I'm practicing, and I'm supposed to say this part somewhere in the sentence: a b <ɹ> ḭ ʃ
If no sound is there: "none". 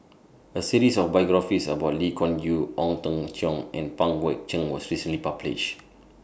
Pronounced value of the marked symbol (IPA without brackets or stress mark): l